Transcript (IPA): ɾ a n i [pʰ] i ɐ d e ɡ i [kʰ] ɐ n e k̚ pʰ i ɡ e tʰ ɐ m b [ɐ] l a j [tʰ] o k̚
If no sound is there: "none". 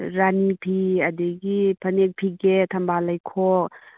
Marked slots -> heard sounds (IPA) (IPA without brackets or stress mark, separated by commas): pʰ, pʰ, a, kʰ